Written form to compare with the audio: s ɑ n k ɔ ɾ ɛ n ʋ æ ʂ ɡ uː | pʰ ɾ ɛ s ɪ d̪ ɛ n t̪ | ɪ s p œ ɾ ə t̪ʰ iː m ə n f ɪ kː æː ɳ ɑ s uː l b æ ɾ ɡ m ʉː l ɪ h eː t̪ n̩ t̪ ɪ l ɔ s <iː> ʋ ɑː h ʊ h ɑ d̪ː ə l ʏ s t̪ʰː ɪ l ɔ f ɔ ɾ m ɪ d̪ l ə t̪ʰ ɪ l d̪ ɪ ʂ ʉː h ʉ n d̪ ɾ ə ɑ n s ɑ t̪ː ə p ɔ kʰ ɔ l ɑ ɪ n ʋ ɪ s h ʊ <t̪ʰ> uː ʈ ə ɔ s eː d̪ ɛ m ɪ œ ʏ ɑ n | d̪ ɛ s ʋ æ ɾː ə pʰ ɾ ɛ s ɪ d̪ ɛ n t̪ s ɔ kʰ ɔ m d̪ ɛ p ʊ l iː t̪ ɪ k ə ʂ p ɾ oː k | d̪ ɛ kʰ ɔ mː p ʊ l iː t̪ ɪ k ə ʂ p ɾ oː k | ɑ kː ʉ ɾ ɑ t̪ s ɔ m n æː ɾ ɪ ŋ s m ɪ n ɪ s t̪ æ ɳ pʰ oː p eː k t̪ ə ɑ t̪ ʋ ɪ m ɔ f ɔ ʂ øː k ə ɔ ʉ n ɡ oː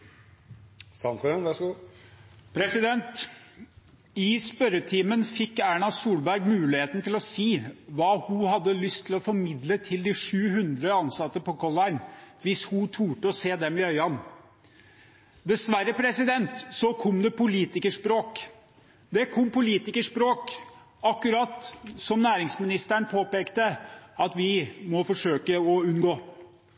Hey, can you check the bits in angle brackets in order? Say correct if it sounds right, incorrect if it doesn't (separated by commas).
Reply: correct, correct